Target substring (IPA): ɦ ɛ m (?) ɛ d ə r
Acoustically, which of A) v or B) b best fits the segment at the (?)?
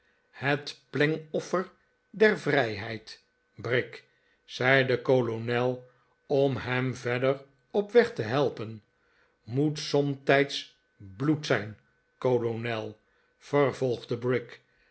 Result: A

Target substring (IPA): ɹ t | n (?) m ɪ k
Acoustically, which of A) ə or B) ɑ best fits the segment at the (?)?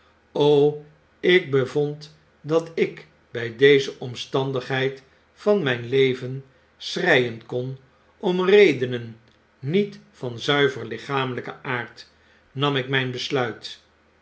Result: B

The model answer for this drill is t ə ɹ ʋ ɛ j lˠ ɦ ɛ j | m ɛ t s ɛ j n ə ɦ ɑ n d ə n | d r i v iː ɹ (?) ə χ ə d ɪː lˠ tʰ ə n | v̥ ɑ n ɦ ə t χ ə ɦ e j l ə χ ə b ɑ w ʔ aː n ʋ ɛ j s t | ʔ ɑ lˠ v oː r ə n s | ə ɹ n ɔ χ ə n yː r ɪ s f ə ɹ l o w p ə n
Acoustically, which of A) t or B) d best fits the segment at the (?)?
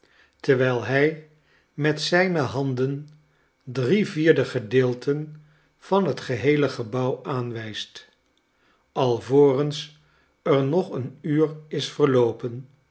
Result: B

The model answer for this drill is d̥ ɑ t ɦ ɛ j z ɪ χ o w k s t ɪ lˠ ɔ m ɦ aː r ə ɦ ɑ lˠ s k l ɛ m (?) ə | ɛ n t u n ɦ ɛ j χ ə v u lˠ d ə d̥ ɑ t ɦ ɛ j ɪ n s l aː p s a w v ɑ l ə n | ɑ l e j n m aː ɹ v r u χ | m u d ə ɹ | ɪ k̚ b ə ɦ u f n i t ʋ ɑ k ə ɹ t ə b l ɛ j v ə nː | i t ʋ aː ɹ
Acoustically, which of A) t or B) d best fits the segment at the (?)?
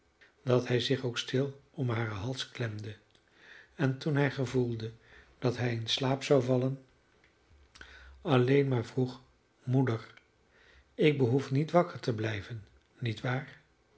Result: B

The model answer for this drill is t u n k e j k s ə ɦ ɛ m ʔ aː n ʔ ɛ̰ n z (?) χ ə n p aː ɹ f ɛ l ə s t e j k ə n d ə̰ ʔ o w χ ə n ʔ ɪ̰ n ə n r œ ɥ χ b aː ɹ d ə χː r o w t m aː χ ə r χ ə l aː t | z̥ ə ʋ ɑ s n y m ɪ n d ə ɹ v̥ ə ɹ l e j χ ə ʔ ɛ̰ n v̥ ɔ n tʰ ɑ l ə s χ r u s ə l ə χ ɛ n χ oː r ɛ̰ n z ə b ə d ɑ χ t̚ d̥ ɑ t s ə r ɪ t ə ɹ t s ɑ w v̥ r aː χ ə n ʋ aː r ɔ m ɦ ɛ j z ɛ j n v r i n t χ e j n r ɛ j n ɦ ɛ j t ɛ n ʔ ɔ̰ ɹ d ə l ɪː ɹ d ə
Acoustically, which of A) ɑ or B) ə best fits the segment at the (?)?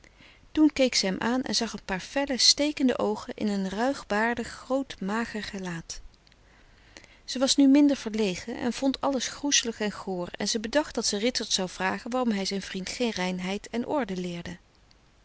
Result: A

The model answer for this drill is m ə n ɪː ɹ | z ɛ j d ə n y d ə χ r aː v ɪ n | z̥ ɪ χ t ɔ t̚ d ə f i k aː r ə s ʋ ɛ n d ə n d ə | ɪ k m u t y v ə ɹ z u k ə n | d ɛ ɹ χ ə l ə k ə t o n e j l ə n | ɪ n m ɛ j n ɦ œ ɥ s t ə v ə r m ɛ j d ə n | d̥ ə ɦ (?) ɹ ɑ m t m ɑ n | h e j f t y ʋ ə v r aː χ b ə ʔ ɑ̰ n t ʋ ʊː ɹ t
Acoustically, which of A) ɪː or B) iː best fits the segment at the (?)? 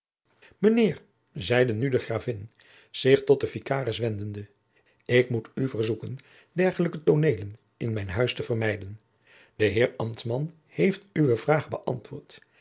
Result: A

